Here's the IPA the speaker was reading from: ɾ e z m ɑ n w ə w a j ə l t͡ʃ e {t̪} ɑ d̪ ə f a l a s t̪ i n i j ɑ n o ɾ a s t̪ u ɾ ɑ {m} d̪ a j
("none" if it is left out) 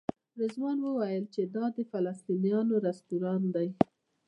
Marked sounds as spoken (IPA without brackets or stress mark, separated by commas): d̪, n